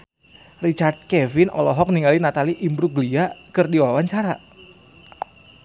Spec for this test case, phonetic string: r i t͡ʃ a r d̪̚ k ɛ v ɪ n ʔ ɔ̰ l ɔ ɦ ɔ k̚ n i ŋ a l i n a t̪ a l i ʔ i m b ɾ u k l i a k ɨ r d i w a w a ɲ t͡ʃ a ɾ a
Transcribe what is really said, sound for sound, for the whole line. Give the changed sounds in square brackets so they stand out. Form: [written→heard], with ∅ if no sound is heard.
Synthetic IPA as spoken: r i t͡ʃ a r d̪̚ k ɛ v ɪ n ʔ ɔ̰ l ɔ ɦ ɔ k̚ n i ŋ a l i n a t̪ a l i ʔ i m b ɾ u [k→ɡ] l i a k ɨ r d i w a w a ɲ t͡ʃ a ɾ a